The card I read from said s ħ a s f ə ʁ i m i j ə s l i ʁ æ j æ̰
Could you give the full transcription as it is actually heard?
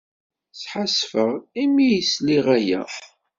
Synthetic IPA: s ħ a s f ə ʁ i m i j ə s l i ʁ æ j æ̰